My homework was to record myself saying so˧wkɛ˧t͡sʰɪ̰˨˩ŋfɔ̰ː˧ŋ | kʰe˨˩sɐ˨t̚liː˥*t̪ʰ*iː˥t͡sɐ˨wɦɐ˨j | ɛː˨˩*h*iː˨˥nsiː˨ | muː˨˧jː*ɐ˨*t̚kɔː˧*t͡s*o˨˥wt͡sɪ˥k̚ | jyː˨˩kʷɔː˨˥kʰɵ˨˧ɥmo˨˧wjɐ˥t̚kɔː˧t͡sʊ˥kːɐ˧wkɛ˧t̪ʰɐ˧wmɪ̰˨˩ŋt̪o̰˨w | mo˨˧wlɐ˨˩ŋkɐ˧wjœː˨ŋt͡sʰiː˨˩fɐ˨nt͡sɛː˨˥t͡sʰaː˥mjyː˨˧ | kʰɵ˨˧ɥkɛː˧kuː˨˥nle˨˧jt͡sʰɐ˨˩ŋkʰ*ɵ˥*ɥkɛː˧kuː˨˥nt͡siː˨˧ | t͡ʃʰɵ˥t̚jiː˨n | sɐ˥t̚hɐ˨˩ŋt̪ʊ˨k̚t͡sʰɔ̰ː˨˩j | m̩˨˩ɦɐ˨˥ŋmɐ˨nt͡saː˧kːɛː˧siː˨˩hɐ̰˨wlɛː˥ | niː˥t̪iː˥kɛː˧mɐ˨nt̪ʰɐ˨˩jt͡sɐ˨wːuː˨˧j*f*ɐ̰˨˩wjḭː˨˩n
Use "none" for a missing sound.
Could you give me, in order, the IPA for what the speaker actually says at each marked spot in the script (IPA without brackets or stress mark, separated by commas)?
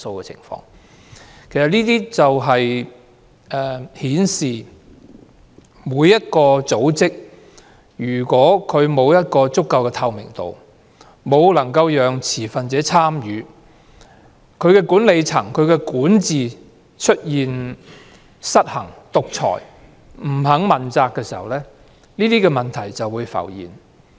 t̪, h, ɐ˥, t͡s, ɵ˨˧, f